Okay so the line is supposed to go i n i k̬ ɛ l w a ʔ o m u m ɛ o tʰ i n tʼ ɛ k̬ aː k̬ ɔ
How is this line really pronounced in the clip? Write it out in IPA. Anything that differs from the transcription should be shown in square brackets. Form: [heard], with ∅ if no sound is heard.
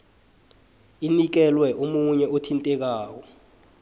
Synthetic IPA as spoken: i n i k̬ ɛ l w [ɛ] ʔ o m u [ɲ] ɛ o tʰ i n tʼ ɛ k̬ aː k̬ ɔ